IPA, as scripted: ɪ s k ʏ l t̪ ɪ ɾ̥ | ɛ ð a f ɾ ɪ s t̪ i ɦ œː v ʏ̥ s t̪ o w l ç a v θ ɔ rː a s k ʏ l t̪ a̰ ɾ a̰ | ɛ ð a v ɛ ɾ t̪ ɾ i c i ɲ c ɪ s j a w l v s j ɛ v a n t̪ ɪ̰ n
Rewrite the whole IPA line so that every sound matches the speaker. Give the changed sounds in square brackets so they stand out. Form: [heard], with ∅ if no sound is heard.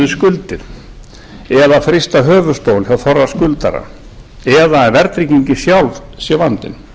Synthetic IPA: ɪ s k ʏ l t̪ ɪ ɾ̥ | ɛ ð a f ɾ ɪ s t̪ [a] ɦ œː v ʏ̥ s t̪ o w l ç a [w] θ ɔ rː a s k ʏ l t̪ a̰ ɾ a̰ | ɛ ð a v ɛ ɾ t̪ ɾ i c i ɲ c ɪ s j a w l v s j ɛ v a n t̪ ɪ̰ n

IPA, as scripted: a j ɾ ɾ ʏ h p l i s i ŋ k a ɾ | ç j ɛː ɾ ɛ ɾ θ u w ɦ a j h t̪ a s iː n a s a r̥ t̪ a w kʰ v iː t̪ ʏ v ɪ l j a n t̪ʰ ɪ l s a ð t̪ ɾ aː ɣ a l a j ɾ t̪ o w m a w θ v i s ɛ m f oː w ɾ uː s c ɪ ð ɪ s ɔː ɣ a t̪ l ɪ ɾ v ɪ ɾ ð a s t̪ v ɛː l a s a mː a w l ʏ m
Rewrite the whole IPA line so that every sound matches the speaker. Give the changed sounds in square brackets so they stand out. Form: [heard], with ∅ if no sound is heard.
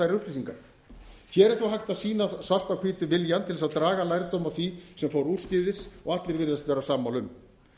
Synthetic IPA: a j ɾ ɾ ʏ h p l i s i ŋ k a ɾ | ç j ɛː ɾ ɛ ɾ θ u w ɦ a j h t̪ a s iː n a s a r̥ t̪ a w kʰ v iː t̪ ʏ v ɪ l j a n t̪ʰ ɪ l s a ð t̪ ɾ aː ɣ a l a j ɾ t̪ o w m a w θ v i s ɛ m f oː w ɾ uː s c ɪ ð ɪ s [ɔ] ɣ a t̪ l ɪ ɾ v ɪ ɾ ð a s t̪ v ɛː [ɾ] a s a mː a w l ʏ m

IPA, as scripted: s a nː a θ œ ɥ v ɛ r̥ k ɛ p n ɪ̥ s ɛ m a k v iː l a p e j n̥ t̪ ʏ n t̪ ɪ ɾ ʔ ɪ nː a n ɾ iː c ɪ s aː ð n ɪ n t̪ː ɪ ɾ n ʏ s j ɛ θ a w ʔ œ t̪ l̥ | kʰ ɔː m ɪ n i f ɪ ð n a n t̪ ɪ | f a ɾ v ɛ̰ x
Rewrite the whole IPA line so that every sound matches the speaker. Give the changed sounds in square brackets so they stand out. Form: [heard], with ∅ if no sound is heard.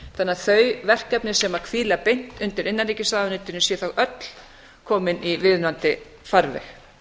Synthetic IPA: [θ] a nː a θ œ ɥ v ɛ r̥ k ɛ p n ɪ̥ s ɛ m a [kʰ] v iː l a p e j n̥ t̪ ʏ n t̪ ɪ ɾ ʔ ɪ nː a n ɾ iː c ɪ s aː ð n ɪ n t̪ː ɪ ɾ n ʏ s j ɛ θ a w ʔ œ t̪ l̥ | kʰ ɔː m ɪ n i [v] ɪ ð n a n t̪ ɪ | f a ɾ v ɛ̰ x

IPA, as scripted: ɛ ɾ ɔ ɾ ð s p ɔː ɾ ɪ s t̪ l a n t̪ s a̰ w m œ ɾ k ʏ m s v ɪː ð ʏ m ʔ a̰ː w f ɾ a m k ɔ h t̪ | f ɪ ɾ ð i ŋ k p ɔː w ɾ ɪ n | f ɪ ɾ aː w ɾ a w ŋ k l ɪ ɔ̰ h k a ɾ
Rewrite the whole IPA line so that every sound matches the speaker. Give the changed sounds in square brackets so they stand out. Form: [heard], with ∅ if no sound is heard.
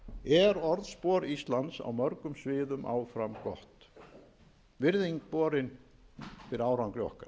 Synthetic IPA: ɛ ɾ ɔ ɾ ð s p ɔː ɾ [i] s t̪ l a n t̪ s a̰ w m œ ɾ k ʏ m s v ɪː ð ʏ m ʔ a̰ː w f ɾ a m k ɔ h t̪ | [v] ɪ ɾ ð i ŋ k p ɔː [∅] ɾ ɪ n | f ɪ ɾ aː w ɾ a w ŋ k l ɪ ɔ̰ h k a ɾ

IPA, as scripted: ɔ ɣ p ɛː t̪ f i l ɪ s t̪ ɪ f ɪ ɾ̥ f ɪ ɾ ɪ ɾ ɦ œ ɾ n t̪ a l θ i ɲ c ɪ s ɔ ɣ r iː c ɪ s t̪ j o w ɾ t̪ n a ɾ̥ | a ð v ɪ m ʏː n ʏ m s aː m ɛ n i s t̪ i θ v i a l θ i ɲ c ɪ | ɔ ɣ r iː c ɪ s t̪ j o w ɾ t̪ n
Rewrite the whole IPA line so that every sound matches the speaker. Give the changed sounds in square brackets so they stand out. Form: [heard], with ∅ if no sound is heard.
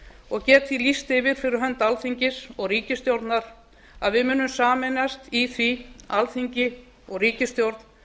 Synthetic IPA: ɔ ɣ [c] ɛː t̪ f i l [i] s t̪ ɪ [v] ɪ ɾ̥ f ɪ ɾ ɪ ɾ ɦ œ [∅] n t̪ a l θ i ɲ c ɪ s ɔ ɣ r iː c ɪ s t̪ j o w ɾ t̪ n a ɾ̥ | a ð v ɪ m ʏː n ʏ m s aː m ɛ n [a] s t̪ i θ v i a l θ i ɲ c ɪ | ɔ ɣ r iː c ɪ s t̪ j o w ɾ t̪ n

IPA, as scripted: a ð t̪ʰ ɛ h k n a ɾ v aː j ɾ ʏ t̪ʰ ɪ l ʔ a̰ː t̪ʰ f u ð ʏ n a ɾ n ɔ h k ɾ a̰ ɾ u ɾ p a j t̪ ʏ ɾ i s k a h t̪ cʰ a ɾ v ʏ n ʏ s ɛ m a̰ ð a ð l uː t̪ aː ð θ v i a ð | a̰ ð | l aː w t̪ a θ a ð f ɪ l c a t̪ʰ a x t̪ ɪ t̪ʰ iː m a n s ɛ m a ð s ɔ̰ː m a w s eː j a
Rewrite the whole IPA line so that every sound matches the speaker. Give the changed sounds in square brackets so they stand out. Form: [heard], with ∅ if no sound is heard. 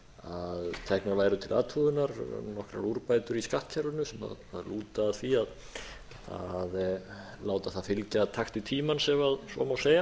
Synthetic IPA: a ð t̪ʰ ɛ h k n a ɾ v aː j ɾ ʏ t̪ʰ ɪ l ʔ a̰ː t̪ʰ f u ð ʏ n a ɾ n ɔ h k ɾ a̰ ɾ u ɾ p a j t̪ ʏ ɾ i s k a h t̪ cʰ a ɾ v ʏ n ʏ s ɛ m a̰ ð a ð l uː t̪ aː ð θ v i a ð | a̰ ð | l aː w t̪ a θ a ð f ɪ l c a t̪ʰ a x t̪ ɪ t̪ʰ iː m a n s ɛ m a ð s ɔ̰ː m a w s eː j a

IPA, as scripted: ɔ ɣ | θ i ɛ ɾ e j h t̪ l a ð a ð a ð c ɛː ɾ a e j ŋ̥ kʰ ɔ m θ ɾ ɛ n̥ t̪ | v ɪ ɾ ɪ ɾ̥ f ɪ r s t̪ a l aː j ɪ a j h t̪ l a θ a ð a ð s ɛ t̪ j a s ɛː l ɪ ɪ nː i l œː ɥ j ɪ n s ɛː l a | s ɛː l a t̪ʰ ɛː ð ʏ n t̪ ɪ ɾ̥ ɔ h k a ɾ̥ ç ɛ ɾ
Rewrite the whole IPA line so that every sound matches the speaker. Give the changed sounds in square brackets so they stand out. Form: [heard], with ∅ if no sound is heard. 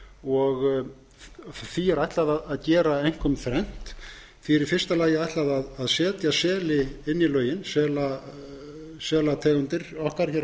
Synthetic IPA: ɔ ɣ | θ i ɛ ɾ [a] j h t̪ l a ð a ð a ð c ɛː ɾ a e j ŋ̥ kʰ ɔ m θ ɾ ɛ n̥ t̪ | [f] ɪ ɾ ɪ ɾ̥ f ɪ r s t̪ a l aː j ɪ a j h t̪ l a [ð] a ð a ð s [ɛː] t̪ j a s ɛː l ɪ ɪ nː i l œː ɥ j ɪ n s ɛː l a | s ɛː l a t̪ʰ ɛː [ɣ] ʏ n t̪ ɪ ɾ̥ ɔ h k a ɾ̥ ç ɛ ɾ

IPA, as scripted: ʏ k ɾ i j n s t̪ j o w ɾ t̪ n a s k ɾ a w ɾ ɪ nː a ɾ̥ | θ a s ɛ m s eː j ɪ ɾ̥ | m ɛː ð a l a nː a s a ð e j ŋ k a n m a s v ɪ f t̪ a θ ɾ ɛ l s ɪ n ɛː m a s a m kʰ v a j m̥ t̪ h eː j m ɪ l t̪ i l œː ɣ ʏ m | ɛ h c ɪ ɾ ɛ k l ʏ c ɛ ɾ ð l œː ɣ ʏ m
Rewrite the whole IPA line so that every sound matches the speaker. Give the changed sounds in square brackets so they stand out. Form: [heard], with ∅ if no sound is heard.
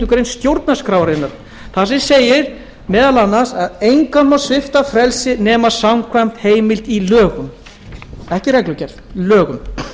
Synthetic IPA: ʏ k ɾ [e] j n s t̪ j o w ɾ t̪ n a s k ɾ a w ɾ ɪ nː a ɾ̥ | θ a s ɛ m s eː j ɪ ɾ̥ | m ɛː ð a l a nː a s a ð e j ŋ k a n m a s v ɪ f t̪ a [f] ɾ ɛ l s ɪ n ɛː m a s a m kʰ v a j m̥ t̪ h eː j m ɪ l t̪ i l œː ɣ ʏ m | ɛ h c ɪ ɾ ɛ k l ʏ c ɛ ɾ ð l œː ɣ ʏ m

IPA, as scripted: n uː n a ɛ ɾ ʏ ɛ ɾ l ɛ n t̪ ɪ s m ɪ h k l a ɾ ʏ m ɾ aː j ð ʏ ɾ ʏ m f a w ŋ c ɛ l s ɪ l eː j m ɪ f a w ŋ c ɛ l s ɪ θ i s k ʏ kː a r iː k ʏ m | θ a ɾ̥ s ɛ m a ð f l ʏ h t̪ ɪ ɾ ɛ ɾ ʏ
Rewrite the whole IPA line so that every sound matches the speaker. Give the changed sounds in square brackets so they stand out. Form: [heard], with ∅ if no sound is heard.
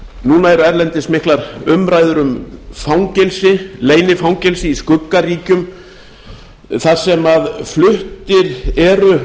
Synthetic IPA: n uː n a ɛ ɾ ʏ ɛ ɾ l ɛ n t̪ ɪ s m ɪ h k l a ɾ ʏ m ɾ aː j ð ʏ ɾ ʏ m f a w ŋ c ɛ l s ɪ l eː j [n] ɪ f a w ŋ c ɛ l s ɪ [∅] i s k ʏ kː a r iː [c] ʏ m | θ a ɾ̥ s ɛ m a ð f l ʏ h t̪ ɪ ɾ ɛ ɾ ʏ

